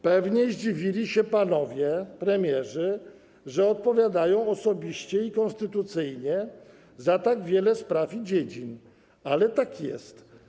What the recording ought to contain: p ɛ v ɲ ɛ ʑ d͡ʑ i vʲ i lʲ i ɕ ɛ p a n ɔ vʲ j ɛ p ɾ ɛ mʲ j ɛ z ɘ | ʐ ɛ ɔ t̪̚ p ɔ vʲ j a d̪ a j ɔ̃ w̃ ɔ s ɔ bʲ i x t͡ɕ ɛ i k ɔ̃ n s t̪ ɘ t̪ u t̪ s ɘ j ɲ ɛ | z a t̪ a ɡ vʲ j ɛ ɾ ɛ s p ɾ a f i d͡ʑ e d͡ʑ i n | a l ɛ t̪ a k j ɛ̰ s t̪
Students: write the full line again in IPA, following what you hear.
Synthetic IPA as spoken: p ɛ v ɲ ɛ ʑ d͡ʑ i vʲ i lʲ i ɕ ɛ p a n ɔ vʲ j ɛ p ɾ ɛ mʲ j ɛ ʐ ɘ | ʐ ɛ ɔ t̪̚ p ɔ vʲ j a d̪ a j ɔ̃ w̃ ɔ s ɔ bʲ i ɕ t͡ɕ ɛ i k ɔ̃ n s t̪ ɘ t̪ u t̪ s ɘ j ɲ ɛ | z a t̪ a ɡ vʲ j ɛ l ɛ s p ɾ a f i d͡ʑ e d͡ʑ i n | a l ɛ t̪ a k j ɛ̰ s t̪